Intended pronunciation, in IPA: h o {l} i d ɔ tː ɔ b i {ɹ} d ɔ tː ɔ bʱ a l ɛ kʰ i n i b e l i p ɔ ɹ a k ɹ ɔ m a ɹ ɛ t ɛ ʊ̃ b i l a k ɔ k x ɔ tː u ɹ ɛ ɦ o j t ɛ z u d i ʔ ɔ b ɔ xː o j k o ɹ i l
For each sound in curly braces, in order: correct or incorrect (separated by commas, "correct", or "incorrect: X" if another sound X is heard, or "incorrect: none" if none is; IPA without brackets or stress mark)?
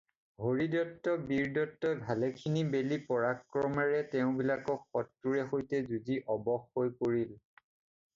incorrect: ɹ, correct